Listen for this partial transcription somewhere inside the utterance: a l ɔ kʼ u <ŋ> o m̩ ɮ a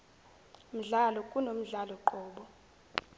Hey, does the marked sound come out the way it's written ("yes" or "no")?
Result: no